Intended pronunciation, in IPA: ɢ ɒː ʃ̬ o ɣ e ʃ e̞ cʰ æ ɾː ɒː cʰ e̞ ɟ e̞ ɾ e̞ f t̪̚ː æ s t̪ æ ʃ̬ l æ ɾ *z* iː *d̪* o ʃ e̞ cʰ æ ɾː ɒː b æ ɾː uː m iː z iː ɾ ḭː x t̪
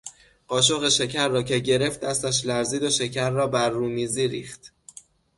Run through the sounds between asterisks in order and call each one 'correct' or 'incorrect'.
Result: correct, correct

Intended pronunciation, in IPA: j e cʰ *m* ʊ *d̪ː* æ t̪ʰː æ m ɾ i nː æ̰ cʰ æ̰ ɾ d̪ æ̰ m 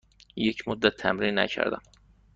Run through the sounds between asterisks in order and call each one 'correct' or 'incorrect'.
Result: correct, correct

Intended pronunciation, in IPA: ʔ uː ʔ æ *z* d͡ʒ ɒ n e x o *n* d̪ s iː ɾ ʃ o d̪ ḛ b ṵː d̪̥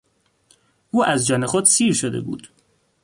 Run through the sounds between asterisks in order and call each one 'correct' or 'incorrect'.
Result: correct, incorrect: none

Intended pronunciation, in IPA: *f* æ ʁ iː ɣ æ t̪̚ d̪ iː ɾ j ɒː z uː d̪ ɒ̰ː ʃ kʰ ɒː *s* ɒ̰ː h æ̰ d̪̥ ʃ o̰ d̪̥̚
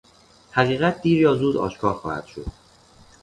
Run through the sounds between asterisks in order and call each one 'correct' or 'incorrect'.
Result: incorrect: h, incorrect: x

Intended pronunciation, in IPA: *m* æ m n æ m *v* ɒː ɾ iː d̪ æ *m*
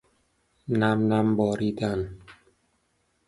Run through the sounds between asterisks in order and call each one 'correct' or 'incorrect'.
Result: incorrect: n, incorrect: b, incorrect: n

